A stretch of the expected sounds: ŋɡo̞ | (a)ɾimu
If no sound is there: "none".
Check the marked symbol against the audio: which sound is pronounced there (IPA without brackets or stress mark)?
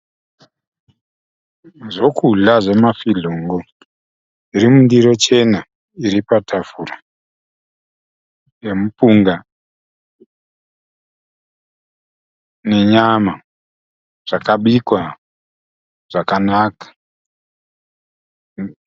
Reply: i